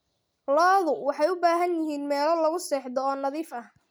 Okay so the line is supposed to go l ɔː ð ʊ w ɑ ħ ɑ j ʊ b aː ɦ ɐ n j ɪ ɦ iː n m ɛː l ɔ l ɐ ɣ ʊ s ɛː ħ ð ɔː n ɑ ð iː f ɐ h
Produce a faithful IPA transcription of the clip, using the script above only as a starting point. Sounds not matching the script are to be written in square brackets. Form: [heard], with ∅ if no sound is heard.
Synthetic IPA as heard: l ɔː ð ʊ w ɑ ħ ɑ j ʊ b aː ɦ ɐ n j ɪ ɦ iː n m ɛː l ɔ l ɐ ɣ ʊ s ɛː ħ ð ɔː n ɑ ð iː f ɐ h

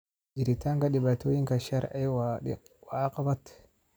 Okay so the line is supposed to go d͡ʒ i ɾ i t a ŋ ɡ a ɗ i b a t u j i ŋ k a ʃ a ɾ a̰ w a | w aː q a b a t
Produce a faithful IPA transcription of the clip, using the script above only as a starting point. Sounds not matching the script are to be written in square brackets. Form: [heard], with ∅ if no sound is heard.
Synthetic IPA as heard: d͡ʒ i ɾ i t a ŋ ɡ a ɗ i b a t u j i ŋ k a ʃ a ɾ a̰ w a | w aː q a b a t

